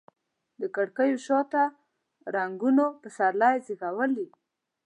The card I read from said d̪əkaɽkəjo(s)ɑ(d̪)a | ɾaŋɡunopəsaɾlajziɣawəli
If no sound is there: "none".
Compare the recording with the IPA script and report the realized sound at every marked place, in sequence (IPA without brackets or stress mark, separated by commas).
ʃ, t̪